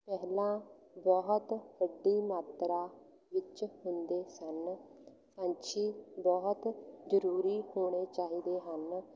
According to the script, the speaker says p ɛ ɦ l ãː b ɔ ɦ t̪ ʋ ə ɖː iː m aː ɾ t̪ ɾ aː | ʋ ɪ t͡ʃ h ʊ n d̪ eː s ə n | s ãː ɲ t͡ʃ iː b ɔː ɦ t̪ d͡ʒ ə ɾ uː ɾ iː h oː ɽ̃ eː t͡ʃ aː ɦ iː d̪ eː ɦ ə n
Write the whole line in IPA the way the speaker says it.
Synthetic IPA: p ɛ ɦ l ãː b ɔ ɦ t̪ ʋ ə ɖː iː m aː t̪ ɾ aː | ʋ ɪ t͡ʃ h ʊ n d̪ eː s ə n | s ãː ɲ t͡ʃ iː b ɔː ɦ t̪ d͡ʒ ə ɾ uː ɾ iː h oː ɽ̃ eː t͡ʃ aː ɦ iː d̪ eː ɦ ə n